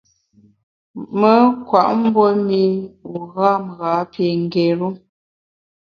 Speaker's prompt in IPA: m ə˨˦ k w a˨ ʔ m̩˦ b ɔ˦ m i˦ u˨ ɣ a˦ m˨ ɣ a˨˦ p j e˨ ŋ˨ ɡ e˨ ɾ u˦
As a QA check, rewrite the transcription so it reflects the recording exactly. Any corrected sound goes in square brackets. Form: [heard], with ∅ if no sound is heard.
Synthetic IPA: m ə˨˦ k w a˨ ʔ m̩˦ b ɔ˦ m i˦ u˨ ɣ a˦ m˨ ɣ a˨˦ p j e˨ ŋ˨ ɡ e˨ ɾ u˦